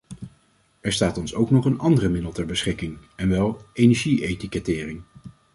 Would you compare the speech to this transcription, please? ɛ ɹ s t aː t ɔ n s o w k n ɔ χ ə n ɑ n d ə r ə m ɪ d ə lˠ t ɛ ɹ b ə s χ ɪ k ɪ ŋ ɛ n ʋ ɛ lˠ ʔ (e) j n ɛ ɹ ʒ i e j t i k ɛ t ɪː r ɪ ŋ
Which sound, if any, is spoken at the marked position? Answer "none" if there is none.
e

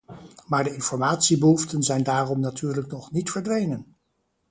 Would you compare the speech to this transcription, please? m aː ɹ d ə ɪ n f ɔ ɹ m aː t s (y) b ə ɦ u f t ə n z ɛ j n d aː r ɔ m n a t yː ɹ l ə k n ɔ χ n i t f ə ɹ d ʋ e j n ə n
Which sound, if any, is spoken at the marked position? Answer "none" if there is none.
i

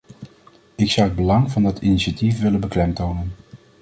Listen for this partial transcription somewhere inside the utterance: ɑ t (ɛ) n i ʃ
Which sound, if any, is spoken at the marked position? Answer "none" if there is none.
i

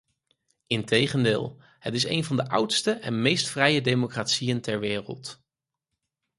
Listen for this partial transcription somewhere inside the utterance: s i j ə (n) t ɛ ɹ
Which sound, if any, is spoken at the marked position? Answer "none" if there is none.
n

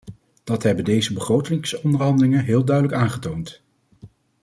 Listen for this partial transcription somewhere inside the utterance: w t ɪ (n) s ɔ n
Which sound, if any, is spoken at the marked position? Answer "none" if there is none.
ŋ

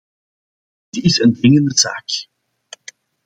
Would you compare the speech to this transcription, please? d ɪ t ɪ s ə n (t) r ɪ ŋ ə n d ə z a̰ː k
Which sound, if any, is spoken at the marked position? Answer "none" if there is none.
d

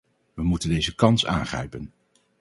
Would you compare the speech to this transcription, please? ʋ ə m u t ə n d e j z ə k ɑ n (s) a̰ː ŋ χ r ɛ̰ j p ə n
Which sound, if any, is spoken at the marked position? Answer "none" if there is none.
s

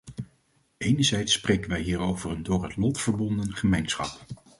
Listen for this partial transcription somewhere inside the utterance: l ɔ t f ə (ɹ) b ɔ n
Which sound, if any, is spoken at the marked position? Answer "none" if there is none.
ɹ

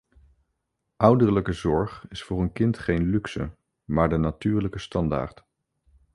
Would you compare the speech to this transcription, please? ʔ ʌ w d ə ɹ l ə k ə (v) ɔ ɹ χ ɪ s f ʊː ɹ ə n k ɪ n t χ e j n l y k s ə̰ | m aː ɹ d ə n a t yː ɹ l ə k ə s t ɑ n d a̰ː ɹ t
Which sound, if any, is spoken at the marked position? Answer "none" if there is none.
z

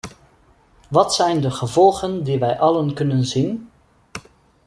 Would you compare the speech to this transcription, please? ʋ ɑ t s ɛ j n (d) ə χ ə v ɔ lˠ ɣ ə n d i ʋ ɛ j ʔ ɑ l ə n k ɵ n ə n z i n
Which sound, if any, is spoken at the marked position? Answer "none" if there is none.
d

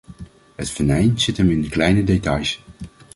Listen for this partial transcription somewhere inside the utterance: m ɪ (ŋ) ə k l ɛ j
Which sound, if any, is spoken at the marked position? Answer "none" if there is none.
n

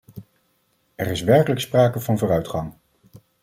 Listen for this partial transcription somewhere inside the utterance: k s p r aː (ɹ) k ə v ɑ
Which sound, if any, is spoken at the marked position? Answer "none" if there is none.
none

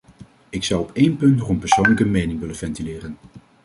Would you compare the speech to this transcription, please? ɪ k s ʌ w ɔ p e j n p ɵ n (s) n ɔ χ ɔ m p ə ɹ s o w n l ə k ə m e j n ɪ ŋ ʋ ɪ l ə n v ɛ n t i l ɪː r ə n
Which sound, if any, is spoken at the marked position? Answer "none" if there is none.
t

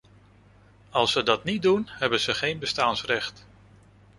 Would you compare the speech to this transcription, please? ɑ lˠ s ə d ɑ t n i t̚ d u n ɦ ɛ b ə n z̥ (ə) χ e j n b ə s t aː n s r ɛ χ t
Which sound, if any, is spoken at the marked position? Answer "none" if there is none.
ə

